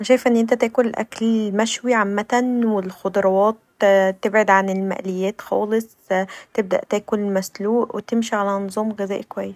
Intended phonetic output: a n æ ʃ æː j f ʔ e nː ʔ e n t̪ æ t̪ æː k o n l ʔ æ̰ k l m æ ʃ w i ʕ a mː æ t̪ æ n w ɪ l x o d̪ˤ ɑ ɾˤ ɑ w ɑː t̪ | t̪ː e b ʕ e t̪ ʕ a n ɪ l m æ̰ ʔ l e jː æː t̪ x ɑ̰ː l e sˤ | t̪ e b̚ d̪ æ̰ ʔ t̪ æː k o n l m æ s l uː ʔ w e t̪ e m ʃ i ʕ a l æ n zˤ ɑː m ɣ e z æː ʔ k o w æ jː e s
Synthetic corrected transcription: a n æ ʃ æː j f ʔ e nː ʔ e n t̪ æ t̪ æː k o n l ʔ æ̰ k l m æ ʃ w i ʕ a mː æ t̪ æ n w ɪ l x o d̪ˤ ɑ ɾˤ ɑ w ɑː t̪ | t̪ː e b ʕ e d̪ ʕ a n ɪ l m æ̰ ʔ l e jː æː t̪ x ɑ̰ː l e sˤ | t̪ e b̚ d̪ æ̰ ʔ t̪ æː k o n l m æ s l uː ʔ w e t̪ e m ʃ i ʕ a l æ n zˤ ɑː m ɣ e z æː ʔ k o w æ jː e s